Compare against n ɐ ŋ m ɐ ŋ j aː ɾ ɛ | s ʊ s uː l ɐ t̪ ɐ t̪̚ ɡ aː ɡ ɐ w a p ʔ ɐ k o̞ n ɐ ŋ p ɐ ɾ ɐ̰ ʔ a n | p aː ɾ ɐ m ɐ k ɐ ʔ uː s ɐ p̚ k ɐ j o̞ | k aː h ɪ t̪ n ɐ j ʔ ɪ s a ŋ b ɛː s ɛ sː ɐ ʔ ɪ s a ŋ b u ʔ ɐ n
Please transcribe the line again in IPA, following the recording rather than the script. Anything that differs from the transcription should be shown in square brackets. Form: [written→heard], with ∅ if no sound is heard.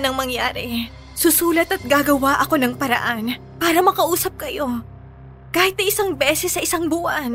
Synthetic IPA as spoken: n ɐ ŋ m ɐ ŋ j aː ɾ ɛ | s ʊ s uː l ɐ t̪ ɐ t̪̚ ɡ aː ɡ ɐ w a [p→∅] ʔ ɐ k o̞ n ɐ ŋ p ɐ ɾ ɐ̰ ʔ a n | p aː ɾ ɐ m ɐ k ɐ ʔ uː s ɐ p̚ k ɐ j o̞ | k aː h ɪ t̪ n ɐ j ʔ ɪ s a ŋ b ɛː s ɛ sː ɐ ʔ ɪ s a ŋ b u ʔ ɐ n